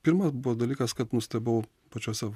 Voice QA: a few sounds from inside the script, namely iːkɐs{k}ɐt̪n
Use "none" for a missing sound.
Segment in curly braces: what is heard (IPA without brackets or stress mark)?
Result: k